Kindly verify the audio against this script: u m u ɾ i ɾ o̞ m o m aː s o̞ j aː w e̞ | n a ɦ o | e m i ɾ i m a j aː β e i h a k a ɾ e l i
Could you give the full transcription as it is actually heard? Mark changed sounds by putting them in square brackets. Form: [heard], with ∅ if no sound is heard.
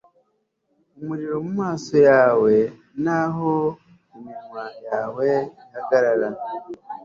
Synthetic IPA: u m u ɾ i ɾ o̞ m [u] m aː s o̞ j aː w e̞ | n a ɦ o | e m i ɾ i m a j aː [w] e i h a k a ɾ [a] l [a]